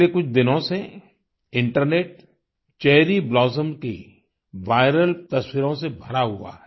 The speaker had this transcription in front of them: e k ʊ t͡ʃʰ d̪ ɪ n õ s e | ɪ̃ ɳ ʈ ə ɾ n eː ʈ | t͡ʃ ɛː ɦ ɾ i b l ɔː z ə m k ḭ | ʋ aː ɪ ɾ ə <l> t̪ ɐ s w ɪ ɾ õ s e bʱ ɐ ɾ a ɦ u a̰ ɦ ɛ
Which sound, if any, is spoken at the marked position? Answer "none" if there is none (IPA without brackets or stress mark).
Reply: l